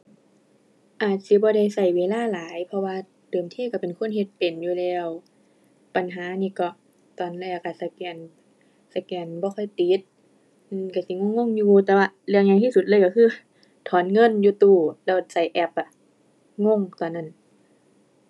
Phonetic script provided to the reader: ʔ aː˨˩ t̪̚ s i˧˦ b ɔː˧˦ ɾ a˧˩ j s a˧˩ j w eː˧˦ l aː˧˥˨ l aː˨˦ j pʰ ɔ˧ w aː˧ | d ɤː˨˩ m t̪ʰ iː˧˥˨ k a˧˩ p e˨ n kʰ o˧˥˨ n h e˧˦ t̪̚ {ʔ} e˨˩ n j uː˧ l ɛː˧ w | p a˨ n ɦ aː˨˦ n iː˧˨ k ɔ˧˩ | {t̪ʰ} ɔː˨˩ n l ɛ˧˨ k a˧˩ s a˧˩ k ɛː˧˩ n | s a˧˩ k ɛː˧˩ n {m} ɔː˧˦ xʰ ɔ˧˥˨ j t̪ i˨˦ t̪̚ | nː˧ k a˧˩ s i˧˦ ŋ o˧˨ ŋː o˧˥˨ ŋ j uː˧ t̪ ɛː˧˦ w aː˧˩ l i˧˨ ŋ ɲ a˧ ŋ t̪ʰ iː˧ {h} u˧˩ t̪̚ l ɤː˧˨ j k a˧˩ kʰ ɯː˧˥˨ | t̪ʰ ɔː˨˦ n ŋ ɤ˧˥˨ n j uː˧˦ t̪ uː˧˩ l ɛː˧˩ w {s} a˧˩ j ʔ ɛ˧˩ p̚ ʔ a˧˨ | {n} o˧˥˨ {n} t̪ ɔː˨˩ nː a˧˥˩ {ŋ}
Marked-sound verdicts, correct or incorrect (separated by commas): incorrect, incorrect, incorrect, incorrect, correct, incorrect, incorrect, incorrect